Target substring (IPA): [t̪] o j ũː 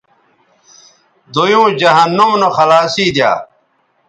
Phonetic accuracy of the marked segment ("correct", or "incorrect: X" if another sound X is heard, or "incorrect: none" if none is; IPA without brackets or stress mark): incorrect: d̪